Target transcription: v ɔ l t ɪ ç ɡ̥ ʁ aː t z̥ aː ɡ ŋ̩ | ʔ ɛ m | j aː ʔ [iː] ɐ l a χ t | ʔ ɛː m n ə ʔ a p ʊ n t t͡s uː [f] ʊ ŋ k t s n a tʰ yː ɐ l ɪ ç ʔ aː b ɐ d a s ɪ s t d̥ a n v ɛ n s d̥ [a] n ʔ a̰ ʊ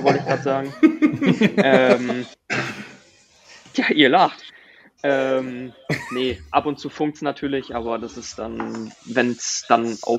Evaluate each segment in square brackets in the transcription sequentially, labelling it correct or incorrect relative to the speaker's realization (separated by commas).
correct, correct, correct